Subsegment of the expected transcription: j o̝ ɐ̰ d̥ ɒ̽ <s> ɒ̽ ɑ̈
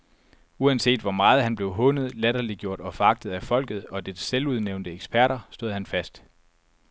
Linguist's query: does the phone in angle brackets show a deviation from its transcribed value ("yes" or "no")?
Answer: yes